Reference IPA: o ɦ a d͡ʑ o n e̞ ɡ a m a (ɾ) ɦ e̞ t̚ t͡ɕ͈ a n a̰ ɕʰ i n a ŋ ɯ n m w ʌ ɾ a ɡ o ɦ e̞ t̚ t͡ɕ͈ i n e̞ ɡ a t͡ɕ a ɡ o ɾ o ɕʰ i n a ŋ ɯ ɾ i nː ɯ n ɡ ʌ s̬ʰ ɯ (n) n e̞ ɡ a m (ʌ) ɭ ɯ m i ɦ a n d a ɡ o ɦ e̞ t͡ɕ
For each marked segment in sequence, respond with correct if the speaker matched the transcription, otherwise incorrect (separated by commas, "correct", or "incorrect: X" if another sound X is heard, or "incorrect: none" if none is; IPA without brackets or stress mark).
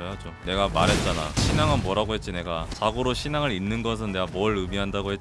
correct, correct, correct